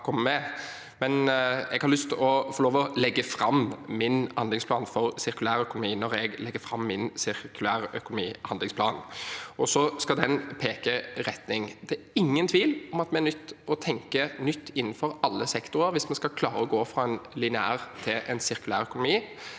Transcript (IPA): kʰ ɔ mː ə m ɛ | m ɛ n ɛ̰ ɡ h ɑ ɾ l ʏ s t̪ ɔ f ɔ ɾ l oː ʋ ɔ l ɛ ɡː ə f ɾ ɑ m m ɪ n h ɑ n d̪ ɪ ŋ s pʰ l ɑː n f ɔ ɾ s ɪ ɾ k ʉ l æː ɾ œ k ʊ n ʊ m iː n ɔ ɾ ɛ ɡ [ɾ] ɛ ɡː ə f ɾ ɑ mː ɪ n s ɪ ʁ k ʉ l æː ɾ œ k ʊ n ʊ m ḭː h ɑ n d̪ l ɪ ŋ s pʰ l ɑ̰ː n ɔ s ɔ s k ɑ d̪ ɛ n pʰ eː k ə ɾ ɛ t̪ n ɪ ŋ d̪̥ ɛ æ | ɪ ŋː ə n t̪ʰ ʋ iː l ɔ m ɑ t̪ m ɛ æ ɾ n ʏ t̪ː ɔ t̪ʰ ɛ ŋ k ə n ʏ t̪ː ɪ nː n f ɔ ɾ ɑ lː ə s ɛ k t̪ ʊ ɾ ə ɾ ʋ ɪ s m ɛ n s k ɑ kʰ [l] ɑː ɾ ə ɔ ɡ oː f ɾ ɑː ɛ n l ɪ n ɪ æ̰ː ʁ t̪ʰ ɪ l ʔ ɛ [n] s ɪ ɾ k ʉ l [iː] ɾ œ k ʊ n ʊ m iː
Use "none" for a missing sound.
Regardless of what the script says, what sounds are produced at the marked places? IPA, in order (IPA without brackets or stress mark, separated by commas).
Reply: l, l, n, æː